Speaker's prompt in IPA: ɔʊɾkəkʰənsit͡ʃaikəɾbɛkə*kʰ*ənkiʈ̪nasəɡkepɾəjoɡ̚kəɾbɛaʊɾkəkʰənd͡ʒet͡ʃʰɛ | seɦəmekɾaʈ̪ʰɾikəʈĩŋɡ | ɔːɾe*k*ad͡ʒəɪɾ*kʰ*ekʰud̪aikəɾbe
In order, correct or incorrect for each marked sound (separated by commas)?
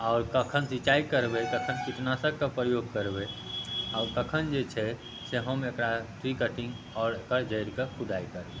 correct, correct, incorrect